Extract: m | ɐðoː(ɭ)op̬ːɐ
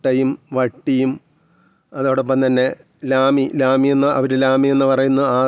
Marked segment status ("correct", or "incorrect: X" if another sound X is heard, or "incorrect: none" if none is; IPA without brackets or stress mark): incorrect: ɽ